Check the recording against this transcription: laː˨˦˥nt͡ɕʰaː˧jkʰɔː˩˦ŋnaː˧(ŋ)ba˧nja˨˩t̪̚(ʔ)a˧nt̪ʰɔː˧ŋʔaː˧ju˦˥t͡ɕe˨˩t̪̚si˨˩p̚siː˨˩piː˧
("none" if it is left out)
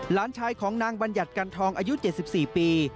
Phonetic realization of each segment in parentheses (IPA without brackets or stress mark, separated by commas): ŋ, k